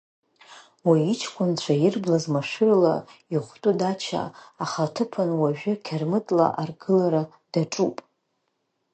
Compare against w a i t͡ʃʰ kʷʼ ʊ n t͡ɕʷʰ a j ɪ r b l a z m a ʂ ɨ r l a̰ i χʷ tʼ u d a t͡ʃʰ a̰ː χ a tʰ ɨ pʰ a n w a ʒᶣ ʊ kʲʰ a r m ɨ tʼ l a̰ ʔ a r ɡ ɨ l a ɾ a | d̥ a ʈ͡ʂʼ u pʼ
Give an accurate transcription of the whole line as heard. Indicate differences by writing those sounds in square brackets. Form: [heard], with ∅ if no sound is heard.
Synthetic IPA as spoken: w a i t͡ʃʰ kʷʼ ʊ n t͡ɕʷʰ a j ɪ r b l a z m a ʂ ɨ r l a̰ i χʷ tʼ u d a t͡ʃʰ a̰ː χ a tʰ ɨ pʰ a n w a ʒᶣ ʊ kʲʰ a r m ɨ tʼ l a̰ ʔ a r ɡ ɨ l a ɾ a | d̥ a ʈ͡ʂʼ u pʼ